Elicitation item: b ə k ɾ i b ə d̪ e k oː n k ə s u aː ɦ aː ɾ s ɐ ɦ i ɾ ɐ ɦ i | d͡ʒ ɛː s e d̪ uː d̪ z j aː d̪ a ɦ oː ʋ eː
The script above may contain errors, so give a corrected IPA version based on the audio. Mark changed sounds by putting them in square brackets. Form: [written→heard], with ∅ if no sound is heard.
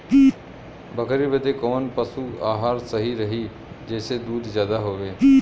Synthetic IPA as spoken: b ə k ɾ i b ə d̪ e k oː n [k→p] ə s u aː ɦ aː ɾ s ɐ ɦ i ɾ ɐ ɦ i | d͡ʒ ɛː s e d̪ uː d̪ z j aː d̪ a ɦ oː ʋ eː